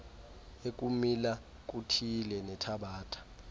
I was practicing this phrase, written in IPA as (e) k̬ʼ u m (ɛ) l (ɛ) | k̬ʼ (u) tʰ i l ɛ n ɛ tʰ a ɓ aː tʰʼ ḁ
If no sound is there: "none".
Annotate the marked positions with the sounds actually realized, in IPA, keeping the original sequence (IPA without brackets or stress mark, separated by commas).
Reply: e, i, a, u